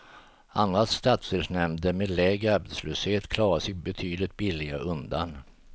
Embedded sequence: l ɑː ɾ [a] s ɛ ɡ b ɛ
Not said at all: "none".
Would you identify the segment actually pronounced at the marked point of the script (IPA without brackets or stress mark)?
a